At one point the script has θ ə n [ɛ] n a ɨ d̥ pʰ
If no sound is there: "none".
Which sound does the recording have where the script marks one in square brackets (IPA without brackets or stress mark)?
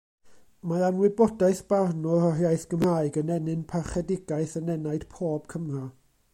ɛ